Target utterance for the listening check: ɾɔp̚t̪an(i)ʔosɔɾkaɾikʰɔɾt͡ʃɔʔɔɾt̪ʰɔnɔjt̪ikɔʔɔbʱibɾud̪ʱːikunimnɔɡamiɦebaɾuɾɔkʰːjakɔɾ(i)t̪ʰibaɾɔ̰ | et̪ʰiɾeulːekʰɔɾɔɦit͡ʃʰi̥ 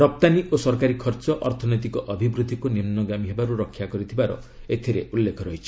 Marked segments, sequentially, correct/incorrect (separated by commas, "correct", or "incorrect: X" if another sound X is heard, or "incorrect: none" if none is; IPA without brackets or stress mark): correct, correct